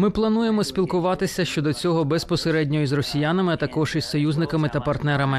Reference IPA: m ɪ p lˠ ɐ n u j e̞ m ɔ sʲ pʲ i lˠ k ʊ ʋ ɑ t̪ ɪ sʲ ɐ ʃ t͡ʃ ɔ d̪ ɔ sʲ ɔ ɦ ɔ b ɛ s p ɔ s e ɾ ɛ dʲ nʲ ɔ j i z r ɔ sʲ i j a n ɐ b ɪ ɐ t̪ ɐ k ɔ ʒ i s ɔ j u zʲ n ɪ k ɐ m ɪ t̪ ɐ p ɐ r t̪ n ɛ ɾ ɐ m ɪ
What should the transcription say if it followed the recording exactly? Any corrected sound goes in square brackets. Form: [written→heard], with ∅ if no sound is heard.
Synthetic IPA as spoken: m ɪ p lˠ ɐ n u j e̞ m ɔ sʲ pʲ i lˠ k ʊ ʋ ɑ t̪ ɪ sʲ ɐ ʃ t͡ʃ ɔ d̪ ɔ [sʲ→t͡sʲ] ɔ ɦ ɔ b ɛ s p ɔ s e ɾ ɛ dʲ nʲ ɔ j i z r ɔ sʲ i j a n ɐ [b→m] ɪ ɐ t̪ ɐ k ɔ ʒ i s ɔ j u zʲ n ɪ k ɐ m ɪ t̪ ɐ p ɐ r t̪ n ɛ ɾ ɐ m ɪ